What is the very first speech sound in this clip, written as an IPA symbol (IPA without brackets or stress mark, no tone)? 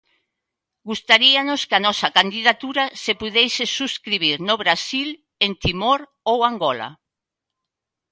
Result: ɡ